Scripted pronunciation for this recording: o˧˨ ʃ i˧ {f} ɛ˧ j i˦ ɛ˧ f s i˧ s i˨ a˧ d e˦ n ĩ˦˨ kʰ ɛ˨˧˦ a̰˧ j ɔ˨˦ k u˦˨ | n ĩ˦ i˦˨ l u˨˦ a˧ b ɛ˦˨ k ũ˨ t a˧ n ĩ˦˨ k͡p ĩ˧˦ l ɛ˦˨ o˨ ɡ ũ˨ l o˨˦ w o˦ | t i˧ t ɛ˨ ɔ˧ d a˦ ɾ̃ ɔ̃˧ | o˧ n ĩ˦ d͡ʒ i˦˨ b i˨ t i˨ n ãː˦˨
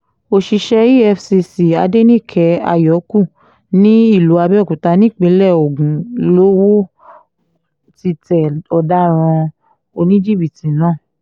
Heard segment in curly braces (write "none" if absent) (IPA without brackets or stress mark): ʃ